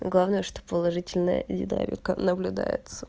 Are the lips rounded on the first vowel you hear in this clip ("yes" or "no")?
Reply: no